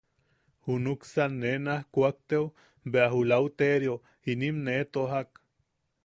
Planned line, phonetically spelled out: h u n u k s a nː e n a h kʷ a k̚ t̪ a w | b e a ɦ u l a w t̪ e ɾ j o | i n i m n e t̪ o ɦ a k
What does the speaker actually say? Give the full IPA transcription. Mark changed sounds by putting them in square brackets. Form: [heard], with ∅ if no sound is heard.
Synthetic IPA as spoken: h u n u k s a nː e n a h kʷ a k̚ t̪ [e] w | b e a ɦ u l a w t̪ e ɾ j o | i n i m n e t̪ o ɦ a k